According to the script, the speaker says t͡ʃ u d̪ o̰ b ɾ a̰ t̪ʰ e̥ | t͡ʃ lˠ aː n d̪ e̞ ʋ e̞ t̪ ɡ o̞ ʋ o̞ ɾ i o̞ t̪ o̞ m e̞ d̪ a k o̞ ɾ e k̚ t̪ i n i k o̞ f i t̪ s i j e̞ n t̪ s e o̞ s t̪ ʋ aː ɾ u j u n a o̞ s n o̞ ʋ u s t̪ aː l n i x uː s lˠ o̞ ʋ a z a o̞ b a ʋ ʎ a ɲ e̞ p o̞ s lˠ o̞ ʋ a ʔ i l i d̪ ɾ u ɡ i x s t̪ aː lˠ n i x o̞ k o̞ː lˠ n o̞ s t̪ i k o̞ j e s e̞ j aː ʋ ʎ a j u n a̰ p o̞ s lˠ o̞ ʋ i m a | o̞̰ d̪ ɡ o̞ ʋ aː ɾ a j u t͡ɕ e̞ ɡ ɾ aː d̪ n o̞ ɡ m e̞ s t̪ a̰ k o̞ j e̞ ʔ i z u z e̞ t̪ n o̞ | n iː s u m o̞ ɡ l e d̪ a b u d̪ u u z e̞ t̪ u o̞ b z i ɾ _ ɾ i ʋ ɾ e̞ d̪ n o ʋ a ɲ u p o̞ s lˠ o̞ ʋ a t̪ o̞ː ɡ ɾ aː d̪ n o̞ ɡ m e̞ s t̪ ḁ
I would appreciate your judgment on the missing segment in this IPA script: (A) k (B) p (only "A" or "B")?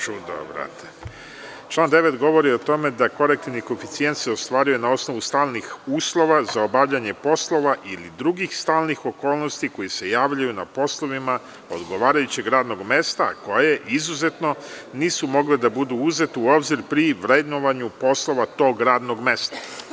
B